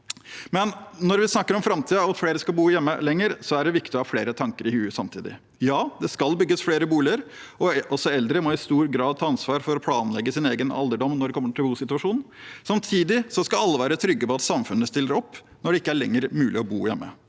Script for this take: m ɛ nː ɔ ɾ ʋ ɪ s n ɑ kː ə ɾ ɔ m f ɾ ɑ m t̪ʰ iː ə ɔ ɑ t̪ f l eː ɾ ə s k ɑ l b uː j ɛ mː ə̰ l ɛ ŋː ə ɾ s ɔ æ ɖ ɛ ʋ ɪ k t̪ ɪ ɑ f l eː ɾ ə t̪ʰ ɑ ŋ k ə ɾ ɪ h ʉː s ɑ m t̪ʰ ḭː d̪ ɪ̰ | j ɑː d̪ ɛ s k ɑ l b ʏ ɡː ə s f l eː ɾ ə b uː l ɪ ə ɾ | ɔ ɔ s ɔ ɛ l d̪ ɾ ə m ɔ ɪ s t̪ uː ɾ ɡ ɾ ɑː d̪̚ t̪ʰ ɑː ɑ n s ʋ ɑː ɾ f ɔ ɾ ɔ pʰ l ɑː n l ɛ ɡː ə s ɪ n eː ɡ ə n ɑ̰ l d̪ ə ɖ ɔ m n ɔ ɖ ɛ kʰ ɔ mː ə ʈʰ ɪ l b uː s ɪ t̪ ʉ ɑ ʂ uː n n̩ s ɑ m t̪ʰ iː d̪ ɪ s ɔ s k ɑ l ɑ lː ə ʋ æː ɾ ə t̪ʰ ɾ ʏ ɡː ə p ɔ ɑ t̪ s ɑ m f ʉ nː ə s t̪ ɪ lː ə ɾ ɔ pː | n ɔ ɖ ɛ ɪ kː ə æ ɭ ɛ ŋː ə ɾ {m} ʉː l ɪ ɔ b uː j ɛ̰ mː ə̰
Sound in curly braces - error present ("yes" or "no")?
no